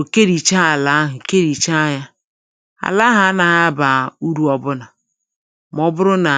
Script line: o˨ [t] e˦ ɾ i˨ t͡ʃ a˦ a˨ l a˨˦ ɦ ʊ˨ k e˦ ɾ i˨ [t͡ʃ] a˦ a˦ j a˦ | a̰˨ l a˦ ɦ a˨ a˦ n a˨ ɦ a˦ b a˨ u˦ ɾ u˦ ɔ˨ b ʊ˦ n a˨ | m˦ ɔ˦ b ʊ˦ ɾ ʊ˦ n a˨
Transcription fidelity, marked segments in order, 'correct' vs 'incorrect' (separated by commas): incorrect, correct